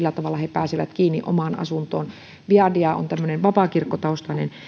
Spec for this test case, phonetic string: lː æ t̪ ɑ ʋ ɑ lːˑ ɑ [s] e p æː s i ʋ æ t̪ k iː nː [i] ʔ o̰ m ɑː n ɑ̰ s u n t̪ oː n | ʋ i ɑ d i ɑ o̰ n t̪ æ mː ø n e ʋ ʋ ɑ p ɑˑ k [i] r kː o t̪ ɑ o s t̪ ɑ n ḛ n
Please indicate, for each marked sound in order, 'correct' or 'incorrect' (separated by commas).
incorrect, correct, correct